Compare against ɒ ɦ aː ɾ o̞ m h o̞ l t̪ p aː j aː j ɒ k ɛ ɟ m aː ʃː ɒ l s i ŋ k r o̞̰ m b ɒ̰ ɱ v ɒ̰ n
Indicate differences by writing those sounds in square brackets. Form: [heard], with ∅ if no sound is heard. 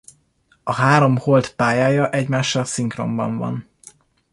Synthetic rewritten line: ɒ ɦ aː ɾ o̞ m h o̞ l t̪ p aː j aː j ɒ [ʔ] ɛ ɟ m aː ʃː ɒ l s i ŋ k r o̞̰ m b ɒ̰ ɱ v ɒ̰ n